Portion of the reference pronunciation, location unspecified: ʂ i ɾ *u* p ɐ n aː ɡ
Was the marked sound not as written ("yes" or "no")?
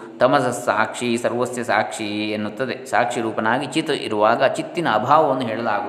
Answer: yes